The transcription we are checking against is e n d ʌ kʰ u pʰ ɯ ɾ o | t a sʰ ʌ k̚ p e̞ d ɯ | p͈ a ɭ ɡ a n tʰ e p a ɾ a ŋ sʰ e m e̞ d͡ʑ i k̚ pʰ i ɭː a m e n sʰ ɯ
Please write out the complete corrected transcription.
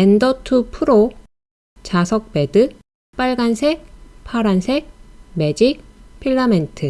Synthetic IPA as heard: e n d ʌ tʰ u pʰ ɯ ɾ o | t͡ɕ a sʰ ʌ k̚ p e̞ d ɯ | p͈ a ɭ ɡ a n sʰ e pʰ a ɾ a n sʰ e m e̞ d͡ʑ i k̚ pʰ i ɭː a m e n tʰ ɯ